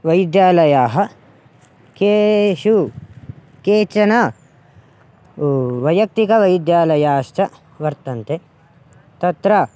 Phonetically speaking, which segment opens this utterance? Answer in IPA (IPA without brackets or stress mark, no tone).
ʋ